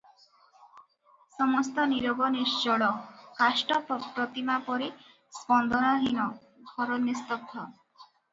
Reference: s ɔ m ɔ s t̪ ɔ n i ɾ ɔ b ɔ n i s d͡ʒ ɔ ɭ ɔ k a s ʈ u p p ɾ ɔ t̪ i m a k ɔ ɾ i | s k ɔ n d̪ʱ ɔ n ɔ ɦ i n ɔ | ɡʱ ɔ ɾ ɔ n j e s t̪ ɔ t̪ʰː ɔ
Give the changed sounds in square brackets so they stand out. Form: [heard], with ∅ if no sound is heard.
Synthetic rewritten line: s ɔ m ɔ s t̪ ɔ n i ɾ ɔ b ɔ n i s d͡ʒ ɔ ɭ ɔ k a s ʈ [ɔ] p p ɾ ɔ t̪ i m a [p] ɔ ɾ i | s [p] ɔ n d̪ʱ ɔ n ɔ ɦ i n ɔ | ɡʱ ɔ ɾ ɔ n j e s t̪ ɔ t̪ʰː ɔ

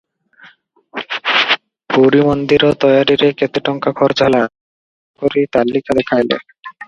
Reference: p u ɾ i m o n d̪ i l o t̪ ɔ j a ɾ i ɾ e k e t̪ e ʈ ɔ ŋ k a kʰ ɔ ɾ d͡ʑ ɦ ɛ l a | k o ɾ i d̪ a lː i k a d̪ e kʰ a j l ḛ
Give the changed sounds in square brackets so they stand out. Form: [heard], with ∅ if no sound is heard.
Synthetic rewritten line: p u ɾ i m o n d̪ i [ɾ] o t̪ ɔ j a ɾ i ɾ e k e t̪ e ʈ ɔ ŋ k a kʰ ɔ ɾ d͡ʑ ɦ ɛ l a | k o ɾ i [t̪] a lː i k a d̪ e kʰ a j l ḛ

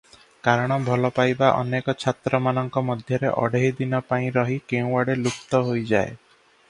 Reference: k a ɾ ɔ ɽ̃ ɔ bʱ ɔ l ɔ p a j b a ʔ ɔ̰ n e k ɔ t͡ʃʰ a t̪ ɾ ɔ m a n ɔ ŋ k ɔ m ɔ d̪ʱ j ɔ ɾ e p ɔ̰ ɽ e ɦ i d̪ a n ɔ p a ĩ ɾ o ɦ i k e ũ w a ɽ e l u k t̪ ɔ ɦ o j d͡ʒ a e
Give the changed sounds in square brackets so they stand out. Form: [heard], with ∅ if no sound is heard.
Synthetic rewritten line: k a ɾ ɔ ɽ̃ ɔ bʱ ɔ l ɔ p a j b a ʔ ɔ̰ n e k ɔ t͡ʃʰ a t̪ ɾ ɔ m a n ɔ ŋ k ɔ m ɔ d̪ʱ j ɔ ɾ e [ʔ] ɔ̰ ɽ e ɦ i d̪ [i] n ɔ p a ĩ ɾ [ɔ] ɦ i k e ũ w a ɽ e l u k t̪ ɔ ɦ o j d͡ʒ a e

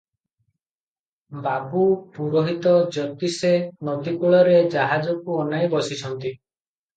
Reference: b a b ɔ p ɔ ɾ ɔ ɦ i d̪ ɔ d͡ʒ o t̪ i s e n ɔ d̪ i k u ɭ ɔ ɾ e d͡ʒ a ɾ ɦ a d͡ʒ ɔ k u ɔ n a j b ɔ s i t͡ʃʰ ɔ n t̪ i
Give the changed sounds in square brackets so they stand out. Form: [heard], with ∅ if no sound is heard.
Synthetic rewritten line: b a b [u] p [u] ɾ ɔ ɦ i [t̪] ɔ d͡ʒ [ɔ] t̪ i s e n ɔ d̪ i k u ɭ ɔ ɾ e d͡ʒ a [∅] ɦ a d͡ʒ ɔ k u ɔ n a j b ɔ s i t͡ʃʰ ɔ n t̪ i

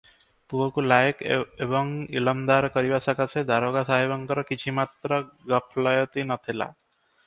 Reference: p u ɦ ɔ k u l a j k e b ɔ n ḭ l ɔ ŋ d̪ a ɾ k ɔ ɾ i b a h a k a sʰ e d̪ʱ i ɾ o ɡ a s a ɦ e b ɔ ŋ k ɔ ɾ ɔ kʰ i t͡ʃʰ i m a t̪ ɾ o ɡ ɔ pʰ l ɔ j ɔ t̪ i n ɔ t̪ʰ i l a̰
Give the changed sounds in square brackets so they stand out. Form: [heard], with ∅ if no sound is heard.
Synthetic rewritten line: p u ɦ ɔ k u l a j k e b ɔ [ŋ] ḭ l ɔ [m] d̪ a ɾ k ɔ ɾ i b a [s] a k a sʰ e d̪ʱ [a] ɾ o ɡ a s a ɦ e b ɔ ŋ k ɔ ɾ ɔ [k] i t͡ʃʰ i m a t̪ ɾ [ɔ] ɡ ɔ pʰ l ɔ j ɔ t̪ i n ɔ t̪ʰ i l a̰

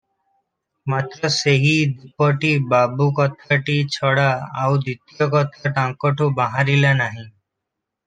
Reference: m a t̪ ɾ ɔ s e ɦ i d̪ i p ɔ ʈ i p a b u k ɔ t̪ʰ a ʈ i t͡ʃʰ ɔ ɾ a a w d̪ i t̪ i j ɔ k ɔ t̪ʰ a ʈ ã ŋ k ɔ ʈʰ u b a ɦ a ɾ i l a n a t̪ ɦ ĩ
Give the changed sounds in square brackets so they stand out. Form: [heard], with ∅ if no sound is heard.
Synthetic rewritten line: m a t̪ ɾ ɔ s e ɦ i d̪ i p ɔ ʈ i [b] a b u k ɔ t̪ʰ a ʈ i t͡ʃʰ ɔ [ɽ] a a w d̪ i t̪ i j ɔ k ɔ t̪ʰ a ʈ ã ŋ k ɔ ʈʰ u b a ɦ a ɾ i l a n a [∅] ɦ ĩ

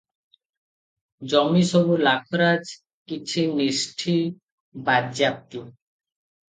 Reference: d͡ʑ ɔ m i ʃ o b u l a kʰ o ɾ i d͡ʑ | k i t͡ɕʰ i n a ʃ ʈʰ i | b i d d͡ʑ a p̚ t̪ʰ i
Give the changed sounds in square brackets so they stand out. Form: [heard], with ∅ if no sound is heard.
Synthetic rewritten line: d͡ʑ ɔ m i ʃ o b u l a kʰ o ɾ [a] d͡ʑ | k i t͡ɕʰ i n [i] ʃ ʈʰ i | b [a] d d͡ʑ a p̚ [t̪] i

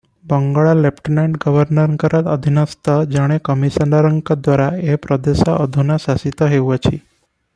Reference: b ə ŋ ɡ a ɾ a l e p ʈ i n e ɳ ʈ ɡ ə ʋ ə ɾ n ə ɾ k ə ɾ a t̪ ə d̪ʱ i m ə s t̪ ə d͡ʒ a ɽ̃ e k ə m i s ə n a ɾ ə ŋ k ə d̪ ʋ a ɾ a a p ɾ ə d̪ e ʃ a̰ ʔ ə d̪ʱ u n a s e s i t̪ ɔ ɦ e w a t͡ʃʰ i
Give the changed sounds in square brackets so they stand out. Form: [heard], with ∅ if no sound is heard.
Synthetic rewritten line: b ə ŋ ɡ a [ɭ] a l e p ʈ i n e ɳ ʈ ɡ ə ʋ ə ɾ n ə ɾ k ə ɾ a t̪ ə d̪ʱ i [n] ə s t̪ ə d͡ʒ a ɽ̃ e k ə m i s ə n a ɾ ə ŋ k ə d̪ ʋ a ɾ a [e] p ɾ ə d̪ e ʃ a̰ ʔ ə d̪ʱ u n a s [a] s i t̪ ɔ ɦ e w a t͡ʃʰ i

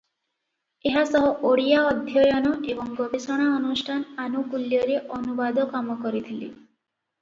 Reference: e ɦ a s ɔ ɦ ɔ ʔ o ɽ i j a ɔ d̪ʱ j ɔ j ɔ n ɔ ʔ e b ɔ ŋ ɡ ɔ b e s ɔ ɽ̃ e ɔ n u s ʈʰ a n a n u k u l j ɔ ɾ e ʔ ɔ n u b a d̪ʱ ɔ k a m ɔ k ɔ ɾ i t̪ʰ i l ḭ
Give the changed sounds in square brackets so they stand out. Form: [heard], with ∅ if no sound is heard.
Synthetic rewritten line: e ɦ a s ɔ ɦ ɔ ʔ o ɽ i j a ɔ d̪ʱ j ɔ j ɔ n ɔ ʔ e b ɔ ŋ ɡ ɔ b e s ɔ ɽ̃ [a] ɔ n u s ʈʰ a n a n u k u l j ɔ ɾ e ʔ ɔ n u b a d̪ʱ ɔ k a m ɔ k ɔ ɾ i t̪ʰ i l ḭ

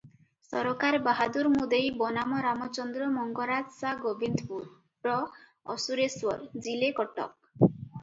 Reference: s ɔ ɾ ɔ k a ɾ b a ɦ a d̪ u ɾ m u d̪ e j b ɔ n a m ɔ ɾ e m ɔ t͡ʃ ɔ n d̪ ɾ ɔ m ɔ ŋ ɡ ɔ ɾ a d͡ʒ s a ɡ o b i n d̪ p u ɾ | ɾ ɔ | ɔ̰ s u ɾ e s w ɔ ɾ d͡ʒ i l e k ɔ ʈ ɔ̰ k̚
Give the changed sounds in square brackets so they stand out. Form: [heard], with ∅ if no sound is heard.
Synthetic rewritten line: s ɔ ɾ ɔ k a ɾ b a ɦ a d̪ u ɾ m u d̪ e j b ɔ n a m ɔ ɾ [a] m ɔ t͡ʃ ɔ n d̪ ɾ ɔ m ɔ ŋ ɡ ɔ ɾ a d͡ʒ s a ɡ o b i n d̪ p u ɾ | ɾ ɔ | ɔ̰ s u ɾ e s w ɔ ɾ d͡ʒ i l e k ɔ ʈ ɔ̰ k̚

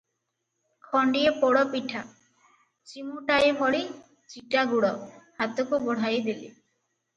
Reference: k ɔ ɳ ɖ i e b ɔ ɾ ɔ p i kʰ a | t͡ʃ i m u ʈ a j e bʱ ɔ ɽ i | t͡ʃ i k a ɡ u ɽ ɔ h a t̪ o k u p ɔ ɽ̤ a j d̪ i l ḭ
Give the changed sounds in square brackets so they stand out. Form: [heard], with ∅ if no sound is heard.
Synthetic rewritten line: [kʰ] ɔ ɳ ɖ i e [p] ɔ [ɽ] ɔ p i [ʈʰ] a | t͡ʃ i m u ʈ a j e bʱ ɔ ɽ i | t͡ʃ i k a ɡ u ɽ ɔ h a t̪ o k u [b] ɔ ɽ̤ a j d̪ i l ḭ

